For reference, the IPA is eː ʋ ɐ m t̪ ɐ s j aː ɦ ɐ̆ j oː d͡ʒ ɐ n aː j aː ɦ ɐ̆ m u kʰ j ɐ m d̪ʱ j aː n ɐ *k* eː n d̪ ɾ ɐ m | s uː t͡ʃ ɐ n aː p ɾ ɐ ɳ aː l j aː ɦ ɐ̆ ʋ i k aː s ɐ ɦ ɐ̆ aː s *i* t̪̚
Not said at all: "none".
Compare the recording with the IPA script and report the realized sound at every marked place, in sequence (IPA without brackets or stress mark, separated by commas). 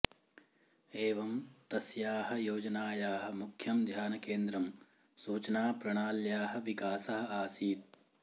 k, iː